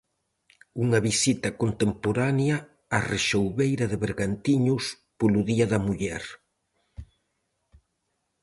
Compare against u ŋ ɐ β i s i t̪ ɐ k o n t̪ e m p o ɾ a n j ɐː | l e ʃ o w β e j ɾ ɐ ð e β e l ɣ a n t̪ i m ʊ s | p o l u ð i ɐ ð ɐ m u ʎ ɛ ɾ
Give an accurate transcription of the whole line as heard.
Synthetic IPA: u ŋ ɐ β i s i t̪ ɐ k o n t̪ e m p o ɾ a n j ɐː | r e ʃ o w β e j ɾ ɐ ð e β e ɾ ɣ a n t̪ i ɲ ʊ s | p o l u ð i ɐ ð ɐ m u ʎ ɛ ɾ